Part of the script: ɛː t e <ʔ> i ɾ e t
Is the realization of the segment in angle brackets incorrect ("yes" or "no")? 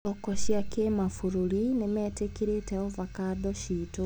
yes